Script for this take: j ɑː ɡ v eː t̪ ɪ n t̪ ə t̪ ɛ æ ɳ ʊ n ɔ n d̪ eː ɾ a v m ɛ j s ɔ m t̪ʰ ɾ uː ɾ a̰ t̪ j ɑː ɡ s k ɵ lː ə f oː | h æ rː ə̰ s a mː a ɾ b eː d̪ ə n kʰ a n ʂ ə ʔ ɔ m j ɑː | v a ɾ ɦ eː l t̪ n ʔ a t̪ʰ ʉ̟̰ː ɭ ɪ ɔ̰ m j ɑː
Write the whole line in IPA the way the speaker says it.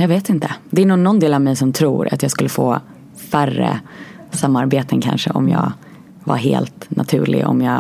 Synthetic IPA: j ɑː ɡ v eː t̪ ɪ n t̪ ə d̪ ɛ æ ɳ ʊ n ɔ n d̪ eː l a v m ɛ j s ɔ m t̪ʰ ɾ uː ɾ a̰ t̪ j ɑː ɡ s k ɵ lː ə f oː | f æ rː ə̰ s a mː a ɾ b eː t̪ ə n kʰ a n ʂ ə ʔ ɔ m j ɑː | v a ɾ ɦ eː l t̪ n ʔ a t̪ʰ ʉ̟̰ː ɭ ɪ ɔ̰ m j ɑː